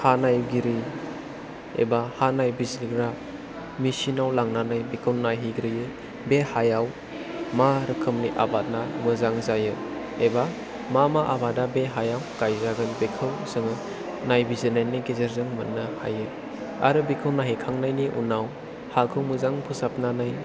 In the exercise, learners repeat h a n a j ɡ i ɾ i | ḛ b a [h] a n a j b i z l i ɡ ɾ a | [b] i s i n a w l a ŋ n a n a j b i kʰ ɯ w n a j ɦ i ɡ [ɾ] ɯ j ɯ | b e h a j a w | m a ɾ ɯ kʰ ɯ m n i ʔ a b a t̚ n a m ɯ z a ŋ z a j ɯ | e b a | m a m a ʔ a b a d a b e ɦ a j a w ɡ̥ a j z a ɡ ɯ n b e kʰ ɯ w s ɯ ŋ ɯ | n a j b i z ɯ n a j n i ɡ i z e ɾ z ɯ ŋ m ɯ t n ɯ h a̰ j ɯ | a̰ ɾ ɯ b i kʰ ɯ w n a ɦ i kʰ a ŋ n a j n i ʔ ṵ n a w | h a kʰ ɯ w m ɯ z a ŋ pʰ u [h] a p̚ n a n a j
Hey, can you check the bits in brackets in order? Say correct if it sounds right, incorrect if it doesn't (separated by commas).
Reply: correct, incorrect, correct, incorrect